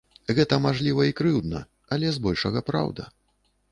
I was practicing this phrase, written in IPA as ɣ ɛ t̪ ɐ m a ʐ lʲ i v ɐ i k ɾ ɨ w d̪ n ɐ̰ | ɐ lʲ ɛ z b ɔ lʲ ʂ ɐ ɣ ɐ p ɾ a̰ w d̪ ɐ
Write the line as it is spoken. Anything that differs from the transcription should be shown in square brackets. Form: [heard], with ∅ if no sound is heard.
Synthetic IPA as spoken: ɣ ɛ t̪ ɐ m a ʐ lʲ i v ɐ i k ɾ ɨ w d̪ n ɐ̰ | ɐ lʲ ɛ z b ɔ lʲ ʂ ɐ ɣ ɐ p ɾ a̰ w d̪ ɐ